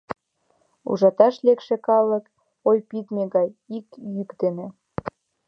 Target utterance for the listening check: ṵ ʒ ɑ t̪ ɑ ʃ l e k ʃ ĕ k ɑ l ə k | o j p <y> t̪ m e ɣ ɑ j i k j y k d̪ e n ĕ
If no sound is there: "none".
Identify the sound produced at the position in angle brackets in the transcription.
i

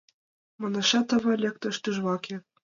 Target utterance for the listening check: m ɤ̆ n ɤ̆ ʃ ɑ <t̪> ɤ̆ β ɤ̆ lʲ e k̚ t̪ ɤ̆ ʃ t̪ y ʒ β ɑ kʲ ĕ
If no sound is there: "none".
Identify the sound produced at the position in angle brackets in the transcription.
t̪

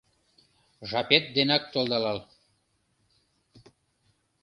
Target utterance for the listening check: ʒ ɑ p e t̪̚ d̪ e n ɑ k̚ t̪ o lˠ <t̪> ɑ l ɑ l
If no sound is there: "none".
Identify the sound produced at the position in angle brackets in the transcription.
d̪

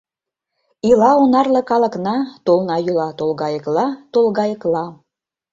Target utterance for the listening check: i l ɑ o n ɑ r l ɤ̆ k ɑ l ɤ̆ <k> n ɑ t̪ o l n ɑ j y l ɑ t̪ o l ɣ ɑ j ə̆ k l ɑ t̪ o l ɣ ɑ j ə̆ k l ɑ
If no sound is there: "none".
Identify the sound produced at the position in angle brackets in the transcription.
k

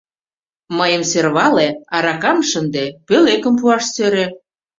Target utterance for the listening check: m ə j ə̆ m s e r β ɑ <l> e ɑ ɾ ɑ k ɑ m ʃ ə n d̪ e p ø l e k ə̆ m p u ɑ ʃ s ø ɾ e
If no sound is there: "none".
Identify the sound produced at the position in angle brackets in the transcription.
l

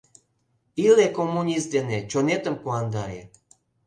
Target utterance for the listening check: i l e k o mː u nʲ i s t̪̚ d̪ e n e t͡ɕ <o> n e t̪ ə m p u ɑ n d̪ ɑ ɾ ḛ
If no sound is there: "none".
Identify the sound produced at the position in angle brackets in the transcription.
o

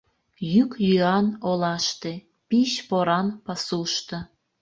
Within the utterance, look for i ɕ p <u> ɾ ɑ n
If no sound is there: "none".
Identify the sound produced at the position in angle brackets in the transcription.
o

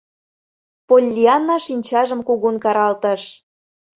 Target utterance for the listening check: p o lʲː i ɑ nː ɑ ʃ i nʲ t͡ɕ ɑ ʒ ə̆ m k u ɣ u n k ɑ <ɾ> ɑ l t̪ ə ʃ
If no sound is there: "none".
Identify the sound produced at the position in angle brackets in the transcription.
ɾ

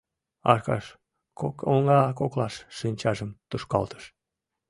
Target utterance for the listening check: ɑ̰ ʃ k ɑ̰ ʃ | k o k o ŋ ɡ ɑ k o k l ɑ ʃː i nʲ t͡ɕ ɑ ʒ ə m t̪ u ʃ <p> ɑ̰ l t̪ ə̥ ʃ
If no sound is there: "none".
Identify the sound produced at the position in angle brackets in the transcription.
k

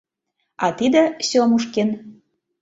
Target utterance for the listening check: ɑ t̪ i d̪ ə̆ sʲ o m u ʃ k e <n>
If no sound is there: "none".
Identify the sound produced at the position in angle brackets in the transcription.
n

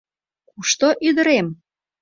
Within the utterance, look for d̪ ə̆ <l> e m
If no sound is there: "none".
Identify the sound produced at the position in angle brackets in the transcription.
ɾ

